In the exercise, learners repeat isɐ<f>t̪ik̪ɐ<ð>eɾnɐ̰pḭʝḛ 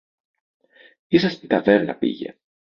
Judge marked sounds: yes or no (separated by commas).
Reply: no, no